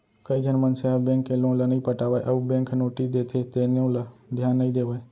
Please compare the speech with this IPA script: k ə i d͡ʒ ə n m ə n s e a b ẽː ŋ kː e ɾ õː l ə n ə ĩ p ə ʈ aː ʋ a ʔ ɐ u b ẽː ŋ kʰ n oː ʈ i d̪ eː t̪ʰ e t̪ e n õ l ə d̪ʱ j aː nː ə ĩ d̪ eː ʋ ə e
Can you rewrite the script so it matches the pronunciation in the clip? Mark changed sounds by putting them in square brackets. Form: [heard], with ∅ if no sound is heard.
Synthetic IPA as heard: k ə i d͡ʒ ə n m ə n s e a b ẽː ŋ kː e [l] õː l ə n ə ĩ p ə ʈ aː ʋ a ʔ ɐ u b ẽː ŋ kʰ n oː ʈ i d̪ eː t̪ʰ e t̪ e n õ l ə d̪ʱ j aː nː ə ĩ d̪ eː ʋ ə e